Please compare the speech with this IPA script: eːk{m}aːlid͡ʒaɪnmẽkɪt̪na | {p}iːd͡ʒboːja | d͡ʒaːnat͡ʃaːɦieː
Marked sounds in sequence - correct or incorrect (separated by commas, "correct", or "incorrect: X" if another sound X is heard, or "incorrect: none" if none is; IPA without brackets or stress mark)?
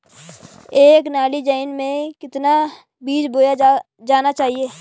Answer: incorrect: n, incorrect: b